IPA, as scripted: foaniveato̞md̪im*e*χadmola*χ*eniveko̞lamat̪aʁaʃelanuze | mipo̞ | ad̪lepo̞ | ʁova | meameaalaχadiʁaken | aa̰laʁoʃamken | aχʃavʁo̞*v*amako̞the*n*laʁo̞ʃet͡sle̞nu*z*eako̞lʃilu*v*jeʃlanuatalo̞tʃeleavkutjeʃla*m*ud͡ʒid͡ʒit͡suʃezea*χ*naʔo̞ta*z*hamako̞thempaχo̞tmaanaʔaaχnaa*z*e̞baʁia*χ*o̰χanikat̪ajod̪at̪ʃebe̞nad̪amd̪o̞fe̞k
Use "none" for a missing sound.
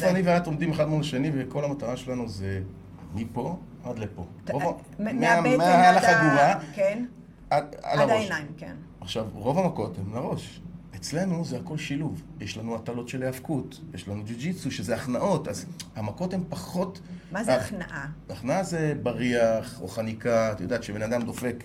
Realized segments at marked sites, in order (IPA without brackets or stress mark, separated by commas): e, ʃ, v, m, z, v, n, χ, z, z, χ